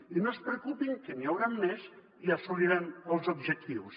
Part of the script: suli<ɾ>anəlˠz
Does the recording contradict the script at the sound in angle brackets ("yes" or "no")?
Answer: no